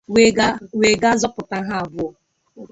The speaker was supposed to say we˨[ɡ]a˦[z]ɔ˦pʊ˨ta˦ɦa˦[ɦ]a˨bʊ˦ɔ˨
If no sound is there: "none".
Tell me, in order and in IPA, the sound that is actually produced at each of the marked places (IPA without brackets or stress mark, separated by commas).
ɡ, z, none